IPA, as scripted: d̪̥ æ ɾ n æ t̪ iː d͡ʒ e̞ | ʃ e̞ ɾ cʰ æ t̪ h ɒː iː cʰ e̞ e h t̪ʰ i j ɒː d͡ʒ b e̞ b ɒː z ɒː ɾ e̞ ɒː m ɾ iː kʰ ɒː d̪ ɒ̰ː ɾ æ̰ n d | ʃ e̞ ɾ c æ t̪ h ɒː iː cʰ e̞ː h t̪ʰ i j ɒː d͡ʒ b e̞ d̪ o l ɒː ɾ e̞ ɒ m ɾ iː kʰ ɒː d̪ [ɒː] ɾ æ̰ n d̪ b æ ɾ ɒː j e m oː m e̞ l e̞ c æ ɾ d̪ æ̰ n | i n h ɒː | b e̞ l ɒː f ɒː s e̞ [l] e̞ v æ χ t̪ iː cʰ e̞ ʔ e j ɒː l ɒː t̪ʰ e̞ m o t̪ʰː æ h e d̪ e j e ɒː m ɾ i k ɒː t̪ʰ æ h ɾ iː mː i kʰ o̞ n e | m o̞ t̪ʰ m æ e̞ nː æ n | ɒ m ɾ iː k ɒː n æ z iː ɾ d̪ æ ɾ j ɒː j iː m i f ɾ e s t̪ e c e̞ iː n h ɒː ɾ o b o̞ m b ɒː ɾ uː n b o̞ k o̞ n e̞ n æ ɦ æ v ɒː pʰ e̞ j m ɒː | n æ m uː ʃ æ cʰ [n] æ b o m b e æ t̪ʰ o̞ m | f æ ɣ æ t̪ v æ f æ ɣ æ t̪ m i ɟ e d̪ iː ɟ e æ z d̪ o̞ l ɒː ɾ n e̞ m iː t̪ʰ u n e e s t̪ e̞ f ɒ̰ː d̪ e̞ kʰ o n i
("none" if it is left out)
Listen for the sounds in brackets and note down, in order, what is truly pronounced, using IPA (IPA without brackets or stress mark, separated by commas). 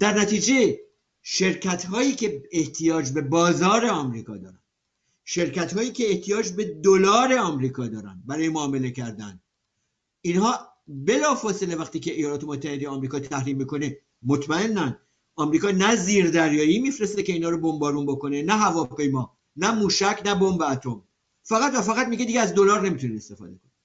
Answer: ɒː, l, n